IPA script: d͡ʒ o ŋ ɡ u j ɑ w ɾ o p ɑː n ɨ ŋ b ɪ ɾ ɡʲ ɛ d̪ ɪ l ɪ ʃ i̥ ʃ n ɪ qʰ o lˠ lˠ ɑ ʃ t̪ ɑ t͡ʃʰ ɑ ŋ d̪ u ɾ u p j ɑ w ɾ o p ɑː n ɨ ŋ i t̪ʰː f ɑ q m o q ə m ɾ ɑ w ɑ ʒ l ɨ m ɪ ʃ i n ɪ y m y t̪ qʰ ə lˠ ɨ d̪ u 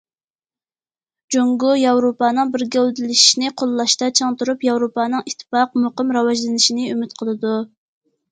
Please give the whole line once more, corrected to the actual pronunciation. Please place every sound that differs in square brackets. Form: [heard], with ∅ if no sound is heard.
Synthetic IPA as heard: d͡ʒ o ŋ ɡ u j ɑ w ɾ o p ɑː n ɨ ŋ b ɪ ɾ ɡʲ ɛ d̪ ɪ l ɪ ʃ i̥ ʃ n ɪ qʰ o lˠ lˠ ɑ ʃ t̪ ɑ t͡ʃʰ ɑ ŋ [t̪] u ɾ u p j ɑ w ɾ o p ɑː n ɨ ŋ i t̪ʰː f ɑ q m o q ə m ɾ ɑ w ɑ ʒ l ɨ [n] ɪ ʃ i n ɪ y m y t̪ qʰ ə lˠ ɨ d̪ u